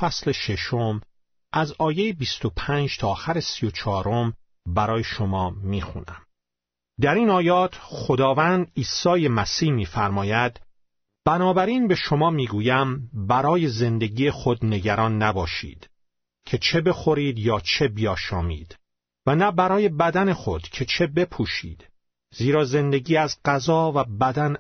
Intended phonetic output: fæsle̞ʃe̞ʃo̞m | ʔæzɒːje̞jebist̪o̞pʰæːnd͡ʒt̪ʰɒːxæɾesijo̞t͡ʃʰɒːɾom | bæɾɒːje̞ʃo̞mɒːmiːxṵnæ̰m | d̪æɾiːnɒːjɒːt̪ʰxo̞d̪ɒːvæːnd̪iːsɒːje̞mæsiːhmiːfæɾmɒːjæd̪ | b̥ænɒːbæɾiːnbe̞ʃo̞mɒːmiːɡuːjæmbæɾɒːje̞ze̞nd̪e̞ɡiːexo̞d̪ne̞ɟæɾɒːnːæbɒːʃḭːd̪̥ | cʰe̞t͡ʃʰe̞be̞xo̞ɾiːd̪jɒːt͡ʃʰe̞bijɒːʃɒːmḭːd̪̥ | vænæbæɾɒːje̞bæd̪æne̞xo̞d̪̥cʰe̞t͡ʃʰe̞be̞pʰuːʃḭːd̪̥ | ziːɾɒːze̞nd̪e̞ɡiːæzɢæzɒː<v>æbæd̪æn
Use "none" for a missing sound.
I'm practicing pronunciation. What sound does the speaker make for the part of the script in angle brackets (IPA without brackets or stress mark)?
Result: v